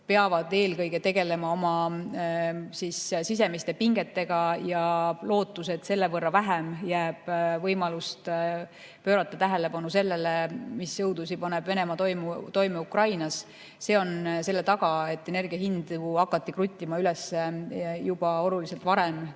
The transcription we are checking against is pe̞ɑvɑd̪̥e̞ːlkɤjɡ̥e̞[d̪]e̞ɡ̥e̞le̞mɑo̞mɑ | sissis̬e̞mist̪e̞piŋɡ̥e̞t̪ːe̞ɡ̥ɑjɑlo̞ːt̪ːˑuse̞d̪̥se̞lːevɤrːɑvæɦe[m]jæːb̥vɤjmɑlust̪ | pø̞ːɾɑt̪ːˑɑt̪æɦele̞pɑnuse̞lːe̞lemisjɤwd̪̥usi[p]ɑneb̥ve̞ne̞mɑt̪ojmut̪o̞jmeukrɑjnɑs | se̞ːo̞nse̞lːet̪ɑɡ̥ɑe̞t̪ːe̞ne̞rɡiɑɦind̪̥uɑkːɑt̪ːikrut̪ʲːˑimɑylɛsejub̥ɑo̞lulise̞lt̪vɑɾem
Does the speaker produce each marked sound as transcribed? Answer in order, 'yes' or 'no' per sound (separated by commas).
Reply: no, yes, yes